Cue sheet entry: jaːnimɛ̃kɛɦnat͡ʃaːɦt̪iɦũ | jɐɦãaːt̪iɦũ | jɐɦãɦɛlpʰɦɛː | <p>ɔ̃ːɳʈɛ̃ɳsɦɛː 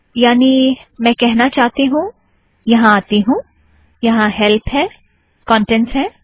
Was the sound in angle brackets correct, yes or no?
no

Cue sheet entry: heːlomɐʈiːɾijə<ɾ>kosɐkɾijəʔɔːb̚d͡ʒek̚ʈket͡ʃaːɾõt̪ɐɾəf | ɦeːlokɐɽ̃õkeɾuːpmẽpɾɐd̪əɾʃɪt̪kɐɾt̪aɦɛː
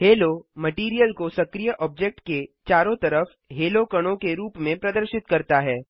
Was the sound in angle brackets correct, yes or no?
no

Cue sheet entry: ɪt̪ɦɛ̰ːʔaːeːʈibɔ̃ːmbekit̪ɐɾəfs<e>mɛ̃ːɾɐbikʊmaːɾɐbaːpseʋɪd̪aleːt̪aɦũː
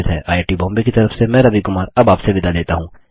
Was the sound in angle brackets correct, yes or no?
yes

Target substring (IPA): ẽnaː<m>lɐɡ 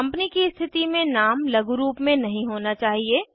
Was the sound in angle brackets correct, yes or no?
yes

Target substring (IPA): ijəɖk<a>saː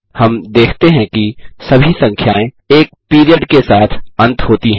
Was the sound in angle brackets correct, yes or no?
no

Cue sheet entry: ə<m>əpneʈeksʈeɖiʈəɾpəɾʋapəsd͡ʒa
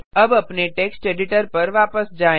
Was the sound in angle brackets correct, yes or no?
no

